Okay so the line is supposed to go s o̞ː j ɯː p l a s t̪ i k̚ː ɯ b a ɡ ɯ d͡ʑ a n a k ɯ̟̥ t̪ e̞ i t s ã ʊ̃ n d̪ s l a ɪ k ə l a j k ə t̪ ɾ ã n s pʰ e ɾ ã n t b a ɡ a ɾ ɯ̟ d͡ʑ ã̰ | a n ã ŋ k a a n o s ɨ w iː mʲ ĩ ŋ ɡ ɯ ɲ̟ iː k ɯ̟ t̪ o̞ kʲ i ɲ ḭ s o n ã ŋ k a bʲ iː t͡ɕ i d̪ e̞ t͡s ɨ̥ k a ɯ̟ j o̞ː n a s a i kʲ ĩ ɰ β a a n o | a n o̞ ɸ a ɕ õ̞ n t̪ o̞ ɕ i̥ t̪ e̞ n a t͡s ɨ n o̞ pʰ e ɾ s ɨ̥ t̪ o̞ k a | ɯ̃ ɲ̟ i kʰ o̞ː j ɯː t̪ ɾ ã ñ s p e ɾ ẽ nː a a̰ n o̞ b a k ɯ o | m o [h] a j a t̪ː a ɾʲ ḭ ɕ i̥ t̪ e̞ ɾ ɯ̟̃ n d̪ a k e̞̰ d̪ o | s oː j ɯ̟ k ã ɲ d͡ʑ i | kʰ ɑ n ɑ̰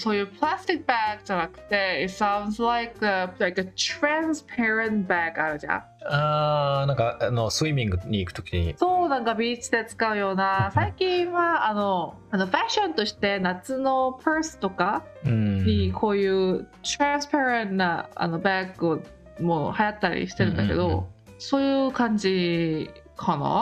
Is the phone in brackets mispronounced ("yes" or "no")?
no